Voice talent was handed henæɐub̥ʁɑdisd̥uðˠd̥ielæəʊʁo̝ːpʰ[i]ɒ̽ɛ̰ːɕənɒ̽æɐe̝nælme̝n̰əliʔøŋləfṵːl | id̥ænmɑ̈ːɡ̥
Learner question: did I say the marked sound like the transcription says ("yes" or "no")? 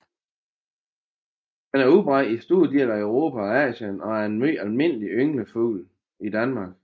no